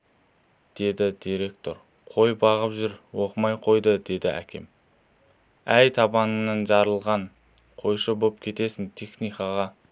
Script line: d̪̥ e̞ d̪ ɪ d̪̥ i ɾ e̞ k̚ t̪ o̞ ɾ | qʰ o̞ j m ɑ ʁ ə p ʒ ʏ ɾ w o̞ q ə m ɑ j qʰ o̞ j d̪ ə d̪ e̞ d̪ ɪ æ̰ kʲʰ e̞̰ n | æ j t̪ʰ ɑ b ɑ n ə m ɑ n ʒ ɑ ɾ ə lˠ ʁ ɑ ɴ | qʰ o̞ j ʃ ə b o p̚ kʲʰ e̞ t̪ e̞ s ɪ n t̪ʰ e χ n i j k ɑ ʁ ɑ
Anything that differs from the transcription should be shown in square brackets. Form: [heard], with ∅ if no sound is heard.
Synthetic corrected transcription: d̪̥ e̞ d̪ ɪ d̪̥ i ɾ e̞ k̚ t̪ o̞ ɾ | qʰ o̞ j [b] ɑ ʁ ə p ʒ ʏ ɾ w o̞ q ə m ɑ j qʰ o̞ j d̪ ə d̪ e̞ d̪ ɪ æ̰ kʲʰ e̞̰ [m] | æ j t̪ʰ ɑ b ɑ n ə [n] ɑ n ʒ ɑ ɾ ə lˠ ʁ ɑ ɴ | qʰ o̞ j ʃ ə b o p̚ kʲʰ e̞ t̪ e̞ s ɪ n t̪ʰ e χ n i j k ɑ ʁ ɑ